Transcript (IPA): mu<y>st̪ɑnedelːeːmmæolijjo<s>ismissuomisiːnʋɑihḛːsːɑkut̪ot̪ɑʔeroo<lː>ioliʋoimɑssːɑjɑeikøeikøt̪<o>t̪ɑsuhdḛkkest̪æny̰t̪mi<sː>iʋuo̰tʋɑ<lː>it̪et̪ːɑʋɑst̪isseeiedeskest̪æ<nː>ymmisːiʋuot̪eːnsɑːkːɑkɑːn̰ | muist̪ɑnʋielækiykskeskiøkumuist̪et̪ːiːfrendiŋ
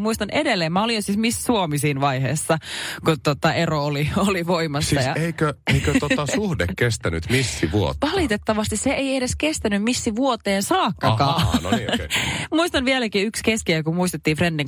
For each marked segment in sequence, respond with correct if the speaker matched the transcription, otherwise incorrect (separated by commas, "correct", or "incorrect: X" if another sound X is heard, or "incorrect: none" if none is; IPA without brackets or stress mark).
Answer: incorrect: i, correct, incorrect: l, correct, correct, incorrect: l, incorrect: n